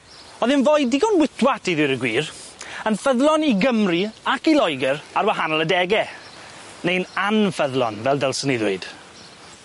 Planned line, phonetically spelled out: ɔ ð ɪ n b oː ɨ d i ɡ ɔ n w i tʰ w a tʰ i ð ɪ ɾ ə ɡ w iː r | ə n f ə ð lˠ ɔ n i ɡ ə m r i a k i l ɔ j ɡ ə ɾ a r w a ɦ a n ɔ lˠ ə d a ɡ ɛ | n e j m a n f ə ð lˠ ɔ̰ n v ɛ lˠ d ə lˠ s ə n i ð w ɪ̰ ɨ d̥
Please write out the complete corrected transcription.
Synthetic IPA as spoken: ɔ ð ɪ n v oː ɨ d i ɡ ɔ n w ɪ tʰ w a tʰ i ð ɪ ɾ ə ɡ w iː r | ə n f ə ð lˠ ɔ n i ɡ ə m r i a k i l ɔ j ɡ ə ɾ a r w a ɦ a n ɔ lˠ ə d ɛ ɡ ɛ | n e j n a n f ə ð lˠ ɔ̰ n v ɛ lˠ d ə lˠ s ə n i ð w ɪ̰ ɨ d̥